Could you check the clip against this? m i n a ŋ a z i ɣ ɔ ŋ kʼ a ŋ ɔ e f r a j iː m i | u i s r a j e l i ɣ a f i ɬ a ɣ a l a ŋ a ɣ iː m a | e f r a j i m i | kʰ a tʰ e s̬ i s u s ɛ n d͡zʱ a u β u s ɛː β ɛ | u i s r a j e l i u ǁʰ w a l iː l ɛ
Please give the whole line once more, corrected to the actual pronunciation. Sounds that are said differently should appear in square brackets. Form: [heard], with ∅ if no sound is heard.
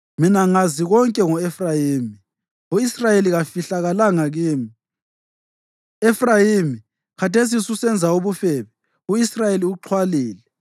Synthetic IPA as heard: m i n a ŋ a z i ɣ ɔ ŋ kʼ [ɛ] ŋ ɔ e f r a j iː m i | u i s r a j e l i ɣ a f i ɬ a ɣ a l a ŋ a ɣ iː m [i] | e f r a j i m i | kʰ a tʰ e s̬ i s u s ɛ n d͡zʱ a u β u [f] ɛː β ɛ | u i s r a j e l i u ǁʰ w a l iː l ɛ